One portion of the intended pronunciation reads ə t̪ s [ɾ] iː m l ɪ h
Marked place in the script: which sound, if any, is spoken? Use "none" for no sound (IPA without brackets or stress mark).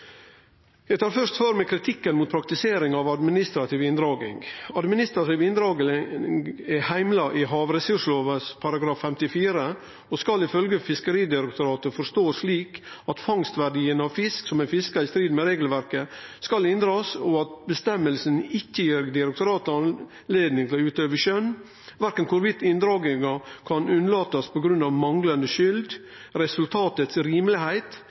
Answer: ɾ